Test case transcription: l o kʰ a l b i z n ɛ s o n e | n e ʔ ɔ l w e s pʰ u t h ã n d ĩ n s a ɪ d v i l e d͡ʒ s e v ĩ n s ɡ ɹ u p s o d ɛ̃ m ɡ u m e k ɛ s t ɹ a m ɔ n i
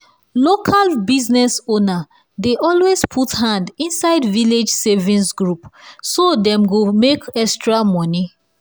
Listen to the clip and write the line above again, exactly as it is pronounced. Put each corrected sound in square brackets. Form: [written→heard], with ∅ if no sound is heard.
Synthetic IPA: l o kʰ a l b i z n ɛ s o n [e→a] | [n→d] e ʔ ɔ l w e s pʰ u t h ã n d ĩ n s a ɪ d v i l e d͡ʒ s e v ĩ n s ɡ ɹ u p s o d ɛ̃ m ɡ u m e k ɛ s t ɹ a m ɔ n i